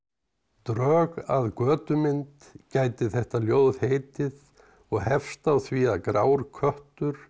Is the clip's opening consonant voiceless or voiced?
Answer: voiceless